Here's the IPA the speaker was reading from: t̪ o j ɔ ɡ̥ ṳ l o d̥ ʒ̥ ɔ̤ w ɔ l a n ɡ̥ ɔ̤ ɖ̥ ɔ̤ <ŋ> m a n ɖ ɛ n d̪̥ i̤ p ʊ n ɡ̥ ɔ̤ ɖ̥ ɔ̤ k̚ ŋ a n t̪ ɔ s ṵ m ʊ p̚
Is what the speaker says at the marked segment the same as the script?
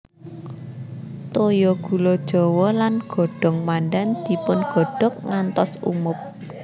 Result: yes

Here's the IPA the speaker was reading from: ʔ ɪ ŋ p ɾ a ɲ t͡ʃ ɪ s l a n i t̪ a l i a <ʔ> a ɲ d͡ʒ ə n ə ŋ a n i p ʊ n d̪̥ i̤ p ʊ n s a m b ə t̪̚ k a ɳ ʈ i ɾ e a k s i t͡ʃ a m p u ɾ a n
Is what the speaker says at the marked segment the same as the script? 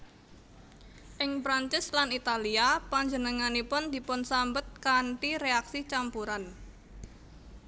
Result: no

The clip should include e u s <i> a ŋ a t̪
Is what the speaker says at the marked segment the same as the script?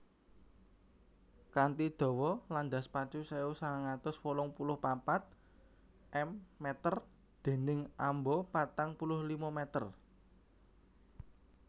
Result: no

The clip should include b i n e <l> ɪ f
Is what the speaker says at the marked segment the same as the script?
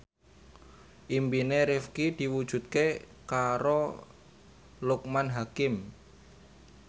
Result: no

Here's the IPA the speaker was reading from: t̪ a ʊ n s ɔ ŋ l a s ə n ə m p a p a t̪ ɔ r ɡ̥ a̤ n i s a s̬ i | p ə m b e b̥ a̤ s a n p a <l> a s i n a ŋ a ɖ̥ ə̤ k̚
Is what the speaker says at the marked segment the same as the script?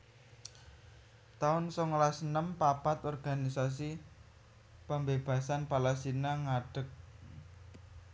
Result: yes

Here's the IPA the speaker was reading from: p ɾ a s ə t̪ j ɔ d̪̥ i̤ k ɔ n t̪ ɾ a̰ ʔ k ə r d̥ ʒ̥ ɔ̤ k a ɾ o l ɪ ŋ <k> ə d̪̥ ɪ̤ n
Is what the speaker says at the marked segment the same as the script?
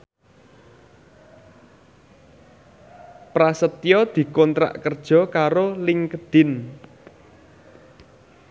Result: yes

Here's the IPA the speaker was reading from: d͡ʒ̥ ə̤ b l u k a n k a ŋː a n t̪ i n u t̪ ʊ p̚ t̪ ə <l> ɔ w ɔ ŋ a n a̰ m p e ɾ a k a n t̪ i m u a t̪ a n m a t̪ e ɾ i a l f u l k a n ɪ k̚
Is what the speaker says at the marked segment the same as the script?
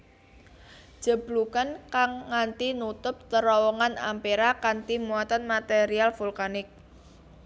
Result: no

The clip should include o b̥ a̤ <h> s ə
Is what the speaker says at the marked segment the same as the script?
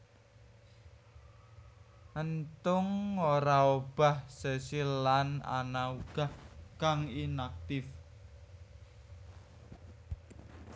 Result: yes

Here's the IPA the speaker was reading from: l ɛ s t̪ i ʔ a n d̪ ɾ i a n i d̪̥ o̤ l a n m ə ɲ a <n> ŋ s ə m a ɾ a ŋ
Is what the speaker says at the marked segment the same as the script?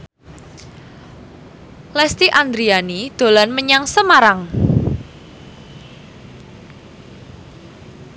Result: no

